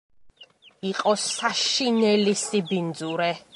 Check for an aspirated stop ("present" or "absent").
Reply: absent